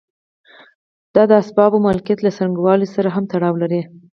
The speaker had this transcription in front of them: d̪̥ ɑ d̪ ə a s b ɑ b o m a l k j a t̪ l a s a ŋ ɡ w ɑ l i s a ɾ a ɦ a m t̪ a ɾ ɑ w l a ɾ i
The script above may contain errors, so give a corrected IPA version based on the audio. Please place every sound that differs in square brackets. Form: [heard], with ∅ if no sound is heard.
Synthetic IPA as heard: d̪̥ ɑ d̪ ə a s b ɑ b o m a l k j a t̪ l a s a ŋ ɡ w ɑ l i s a ɾ a ɦ a m t̪ a [ɽ] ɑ w l a ɾ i